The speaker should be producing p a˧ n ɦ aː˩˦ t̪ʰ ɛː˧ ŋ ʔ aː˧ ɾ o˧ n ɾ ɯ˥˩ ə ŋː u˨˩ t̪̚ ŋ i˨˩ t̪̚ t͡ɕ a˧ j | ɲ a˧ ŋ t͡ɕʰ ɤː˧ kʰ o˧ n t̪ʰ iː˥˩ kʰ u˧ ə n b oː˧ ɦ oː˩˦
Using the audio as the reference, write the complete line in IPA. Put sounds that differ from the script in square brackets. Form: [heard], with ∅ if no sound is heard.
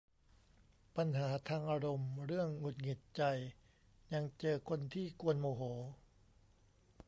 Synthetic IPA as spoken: p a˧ n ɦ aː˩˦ t̪ʰ [aː˧] ŋ ʔ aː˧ ɾ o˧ [m] ɾ ɯ˥˩ ə ŋː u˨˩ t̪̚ ŋ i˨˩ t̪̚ t͡ɕ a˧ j | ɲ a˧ ŋ [t͡ɕ] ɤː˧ kʰ o˧ n t̪ʰ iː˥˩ [k] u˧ ə n [m] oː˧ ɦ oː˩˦